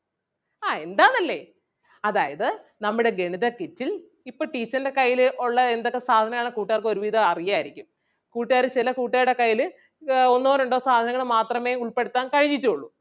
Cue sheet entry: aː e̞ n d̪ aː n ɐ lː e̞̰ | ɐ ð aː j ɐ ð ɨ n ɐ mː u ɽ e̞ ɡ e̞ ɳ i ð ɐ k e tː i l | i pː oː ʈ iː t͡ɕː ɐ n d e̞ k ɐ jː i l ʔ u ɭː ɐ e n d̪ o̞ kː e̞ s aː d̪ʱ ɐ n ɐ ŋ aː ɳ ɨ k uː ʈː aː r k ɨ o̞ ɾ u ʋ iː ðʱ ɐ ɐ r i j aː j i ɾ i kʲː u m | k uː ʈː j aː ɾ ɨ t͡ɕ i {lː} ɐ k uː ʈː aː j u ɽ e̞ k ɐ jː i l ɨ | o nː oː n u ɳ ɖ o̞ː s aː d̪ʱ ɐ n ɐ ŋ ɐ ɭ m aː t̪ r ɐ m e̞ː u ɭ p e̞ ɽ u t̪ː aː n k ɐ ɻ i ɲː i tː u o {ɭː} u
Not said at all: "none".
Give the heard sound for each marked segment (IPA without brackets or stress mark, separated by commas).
l, ɭː